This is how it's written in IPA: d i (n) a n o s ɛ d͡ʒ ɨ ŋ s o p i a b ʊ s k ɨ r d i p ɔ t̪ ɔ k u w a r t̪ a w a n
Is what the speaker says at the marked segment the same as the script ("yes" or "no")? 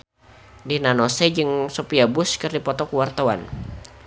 yes